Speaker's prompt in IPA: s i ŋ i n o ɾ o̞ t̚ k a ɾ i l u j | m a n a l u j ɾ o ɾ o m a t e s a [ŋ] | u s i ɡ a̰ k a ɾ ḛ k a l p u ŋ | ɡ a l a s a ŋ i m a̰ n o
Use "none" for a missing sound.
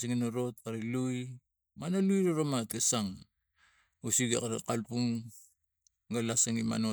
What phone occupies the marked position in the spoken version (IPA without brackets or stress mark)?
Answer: ŋ